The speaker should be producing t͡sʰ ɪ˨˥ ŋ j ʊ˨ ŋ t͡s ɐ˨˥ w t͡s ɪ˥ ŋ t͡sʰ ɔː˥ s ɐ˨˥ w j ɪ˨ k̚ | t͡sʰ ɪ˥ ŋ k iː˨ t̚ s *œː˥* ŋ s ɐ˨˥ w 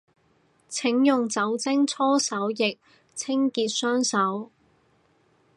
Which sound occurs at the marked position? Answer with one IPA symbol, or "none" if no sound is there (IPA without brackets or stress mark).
œː˥